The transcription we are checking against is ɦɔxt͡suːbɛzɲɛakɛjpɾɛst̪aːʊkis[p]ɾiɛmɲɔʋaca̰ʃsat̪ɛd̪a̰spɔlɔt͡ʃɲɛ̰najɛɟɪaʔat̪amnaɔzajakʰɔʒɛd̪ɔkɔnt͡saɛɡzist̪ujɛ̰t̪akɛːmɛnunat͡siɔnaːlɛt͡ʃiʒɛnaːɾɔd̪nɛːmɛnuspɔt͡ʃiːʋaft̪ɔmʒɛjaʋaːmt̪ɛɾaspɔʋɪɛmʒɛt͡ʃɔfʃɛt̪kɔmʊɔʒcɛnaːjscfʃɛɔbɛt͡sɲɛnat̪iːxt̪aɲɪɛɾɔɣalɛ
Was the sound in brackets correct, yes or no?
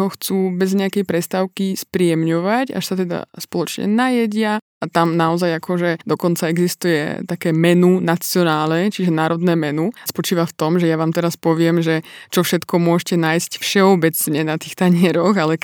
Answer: yes